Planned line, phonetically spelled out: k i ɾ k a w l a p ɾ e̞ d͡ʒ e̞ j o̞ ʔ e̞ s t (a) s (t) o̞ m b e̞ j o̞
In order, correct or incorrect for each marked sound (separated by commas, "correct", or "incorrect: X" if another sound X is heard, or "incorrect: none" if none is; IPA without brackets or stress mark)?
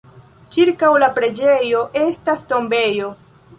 correct, correct